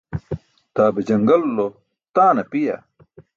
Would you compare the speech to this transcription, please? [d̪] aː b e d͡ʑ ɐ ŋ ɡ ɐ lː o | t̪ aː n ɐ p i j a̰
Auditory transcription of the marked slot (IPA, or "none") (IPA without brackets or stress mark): t̪